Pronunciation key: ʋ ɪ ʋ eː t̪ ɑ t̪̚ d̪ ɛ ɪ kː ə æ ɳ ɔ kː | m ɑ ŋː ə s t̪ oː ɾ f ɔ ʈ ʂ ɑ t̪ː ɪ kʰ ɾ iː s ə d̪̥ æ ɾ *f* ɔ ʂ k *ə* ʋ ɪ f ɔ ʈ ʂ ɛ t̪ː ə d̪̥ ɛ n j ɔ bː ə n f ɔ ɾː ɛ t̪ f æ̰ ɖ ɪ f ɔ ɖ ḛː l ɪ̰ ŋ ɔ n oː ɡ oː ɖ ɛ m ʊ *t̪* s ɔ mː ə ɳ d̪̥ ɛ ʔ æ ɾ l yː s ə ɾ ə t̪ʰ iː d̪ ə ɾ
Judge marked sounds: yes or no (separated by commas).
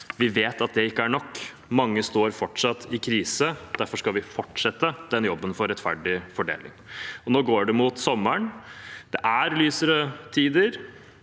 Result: yes, no, yes